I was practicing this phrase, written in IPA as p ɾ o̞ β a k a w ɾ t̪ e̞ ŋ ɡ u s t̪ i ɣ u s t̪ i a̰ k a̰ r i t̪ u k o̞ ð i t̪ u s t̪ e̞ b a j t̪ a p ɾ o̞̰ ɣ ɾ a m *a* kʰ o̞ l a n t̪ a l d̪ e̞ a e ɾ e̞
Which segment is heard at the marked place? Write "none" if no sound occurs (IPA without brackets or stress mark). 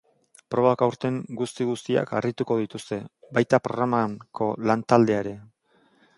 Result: a